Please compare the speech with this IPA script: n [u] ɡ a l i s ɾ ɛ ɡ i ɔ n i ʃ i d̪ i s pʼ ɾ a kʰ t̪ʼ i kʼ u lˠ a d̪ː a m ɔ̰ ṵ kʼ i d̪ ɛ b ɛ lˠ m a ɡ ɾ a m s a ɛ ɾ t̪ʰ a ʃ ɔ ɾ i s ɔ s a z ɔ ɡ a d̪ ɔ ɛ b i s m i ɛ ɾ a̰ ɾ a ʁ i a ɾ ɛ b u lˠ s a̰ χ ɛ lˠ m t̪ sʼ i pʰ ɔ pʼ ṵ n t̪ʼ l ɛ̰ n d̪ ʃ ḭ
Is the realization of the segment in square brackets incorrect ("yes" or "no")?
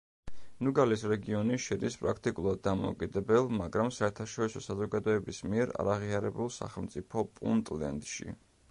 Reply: no